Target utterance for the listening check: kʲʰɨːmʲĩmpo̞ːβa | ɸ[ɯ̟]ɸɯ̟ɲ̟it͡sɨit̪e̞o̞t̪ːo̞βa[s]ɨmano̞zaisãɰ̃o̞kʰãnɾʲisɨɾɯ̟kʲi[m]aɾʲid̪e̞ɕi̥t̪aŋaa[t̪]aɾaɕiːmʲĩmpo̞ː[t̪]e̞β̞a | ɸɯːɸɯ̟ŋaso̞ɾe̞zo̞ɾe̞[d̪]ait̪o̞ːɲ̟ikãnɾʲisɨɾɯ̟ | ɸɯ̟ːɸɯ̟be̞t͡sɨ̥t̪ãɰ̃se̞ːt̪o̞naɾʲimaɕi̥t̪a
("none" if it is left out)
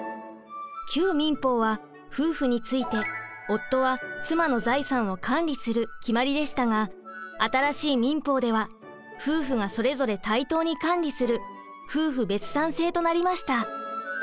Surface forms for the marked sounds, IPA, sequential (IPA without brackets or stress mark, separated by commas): ɯ̟ː, t͡s, m, t̪, d̪, t̪